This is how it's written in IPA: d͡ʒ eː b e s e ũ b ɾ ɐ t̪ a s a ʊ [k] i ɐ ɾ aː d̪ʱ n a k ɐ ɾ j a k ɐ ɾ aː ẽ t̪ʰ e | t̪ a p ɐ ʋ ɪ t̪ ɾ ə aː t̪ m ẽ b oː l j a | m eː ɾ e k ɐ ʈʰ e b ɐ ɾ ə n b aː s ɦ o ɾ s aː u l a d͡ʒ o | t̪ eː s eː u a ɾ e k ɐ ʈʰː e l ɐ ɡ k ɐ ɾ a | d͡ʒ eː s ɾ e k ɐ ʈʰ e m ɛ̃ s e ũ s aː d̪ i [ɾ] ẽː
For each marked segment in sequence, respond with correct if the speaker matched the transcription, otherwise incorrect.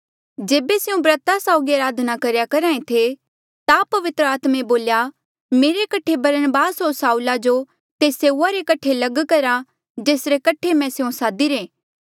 incorrect: ɡ, correct

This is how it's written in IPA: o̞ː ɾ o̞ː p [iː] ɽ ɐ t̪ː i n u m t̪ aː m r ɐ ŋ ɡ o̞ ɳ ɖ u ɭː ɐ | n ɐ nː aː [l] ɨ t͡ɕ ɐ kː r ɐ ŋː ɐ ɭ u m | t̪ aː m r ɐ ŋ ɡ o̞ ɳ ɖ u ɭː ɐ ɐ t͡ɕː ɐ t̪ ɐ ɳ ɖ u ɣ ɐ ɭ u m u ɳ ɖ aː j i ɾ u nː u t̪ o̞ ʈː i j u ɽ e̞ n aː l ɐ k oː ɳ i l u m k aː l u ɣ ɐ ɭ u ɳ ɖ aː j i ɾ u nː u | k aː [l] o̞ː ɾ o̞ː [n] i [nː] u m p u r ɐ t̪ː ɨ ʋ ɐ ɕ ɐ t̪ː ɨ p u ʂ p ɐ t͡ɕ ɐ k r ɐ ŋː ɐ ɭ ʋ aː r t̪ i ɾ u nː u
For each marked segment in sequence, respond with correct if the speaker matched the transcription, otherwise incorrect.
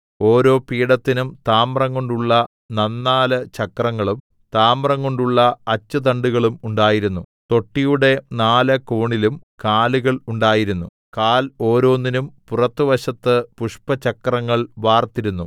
correct, correct, correct, incorrect: nː, incorrect: n

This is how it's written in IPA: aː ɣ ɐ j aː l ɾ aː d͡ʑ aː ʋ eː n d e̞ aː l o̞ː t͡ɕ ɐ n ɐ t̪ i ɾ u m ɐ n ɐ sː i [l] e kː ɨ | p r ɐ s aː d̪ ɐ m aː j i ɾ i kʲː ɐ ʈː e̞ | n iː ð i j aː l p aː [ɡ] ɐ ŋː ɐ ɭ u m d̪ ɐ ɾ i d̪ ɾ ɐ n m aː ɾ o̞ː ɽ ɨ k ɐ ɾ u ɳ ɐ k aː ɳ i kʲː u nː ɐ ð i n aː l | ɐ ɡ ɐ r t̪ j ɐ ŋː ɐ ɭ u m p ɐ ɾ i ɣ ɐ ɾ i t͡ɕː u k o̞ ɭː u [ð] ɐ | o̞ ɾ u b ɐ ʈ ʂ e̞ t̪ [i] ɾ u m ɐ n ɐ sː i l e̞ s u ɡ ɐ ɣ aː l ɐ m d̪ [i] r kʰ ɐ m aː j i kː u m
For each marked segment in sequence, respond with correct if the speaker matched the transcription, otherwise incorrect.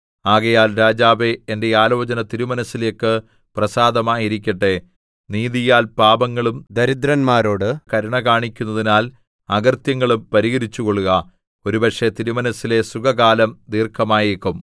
correct, incorrect: b, incorrect: ɣ, correct, incorrect: iː

